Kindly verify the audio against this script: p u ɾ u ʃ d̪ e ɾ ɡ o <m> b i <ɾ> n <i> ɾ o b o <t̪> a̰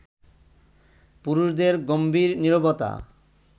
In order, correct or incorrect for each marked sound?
correct, correct, correct, correct

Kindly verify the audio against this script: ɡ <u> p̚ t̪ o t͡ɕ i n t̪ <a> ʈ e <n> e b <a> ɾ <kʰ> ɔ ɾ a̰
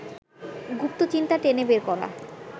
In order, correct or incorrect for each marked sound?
correct, correct, correct, incorrect, incorrect

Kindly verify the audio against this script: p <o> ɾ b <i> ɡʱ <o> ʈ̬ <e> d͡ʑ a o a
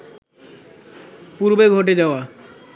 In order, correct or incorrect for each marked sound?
incorrect, incorrect, correct, correct

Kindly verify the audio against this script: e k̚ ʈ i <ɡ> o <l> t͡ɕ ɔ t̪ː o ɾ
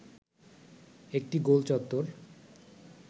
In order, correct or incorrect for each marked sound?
correct, correct

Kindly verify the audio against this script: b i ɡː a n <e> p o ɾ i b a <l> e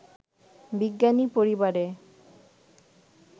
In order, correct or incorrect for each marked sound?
incorrect, incorrect

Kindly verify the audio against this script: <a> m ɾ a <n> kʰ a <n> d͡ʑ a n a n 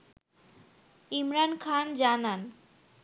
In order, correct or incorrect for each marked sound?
incorrect, correct, correct

